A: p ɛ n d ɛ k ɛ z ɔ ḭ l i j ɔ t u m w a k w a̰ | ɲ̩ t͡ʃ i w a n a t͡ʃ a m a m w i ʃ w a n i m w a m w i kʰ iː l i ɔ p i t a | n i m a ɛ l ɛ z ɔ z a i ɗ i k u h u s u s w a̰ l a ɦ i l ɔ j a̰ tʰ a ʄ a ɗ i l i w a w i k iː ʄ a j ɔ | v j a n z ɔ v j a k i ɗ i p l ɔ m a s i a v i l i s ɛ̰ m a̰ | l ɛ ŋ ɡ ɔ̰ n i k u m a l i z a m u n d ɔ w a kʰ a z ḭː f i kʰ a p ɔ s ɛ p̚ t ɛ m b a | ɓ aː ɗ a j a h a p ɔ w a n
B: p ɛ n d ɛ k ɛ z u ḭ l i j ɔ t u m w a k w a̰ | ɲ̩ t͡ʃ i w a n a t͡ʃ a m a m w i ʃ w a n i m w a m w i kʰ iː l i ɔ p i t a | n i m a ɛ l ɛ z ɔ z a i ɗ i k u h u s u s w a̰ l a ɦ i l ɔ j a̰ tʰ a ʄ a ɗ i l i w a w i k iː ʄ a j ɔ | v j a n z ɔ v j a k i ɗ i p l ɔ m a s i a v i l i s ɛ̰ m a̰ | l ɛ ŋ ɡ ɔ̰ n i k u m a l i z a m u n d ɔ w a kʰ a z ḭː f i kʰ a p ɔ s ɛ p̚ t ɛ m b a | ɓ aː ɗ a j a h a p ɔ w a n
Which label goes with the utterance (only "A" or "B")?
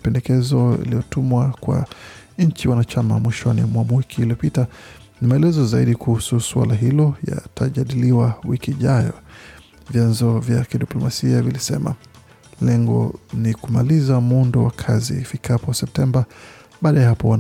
A